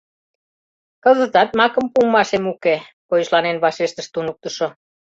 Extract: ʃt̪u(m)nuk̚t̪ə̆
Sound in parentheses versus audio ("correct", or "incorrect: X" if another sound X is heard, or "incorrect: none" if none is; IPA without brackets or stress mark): incorrect: none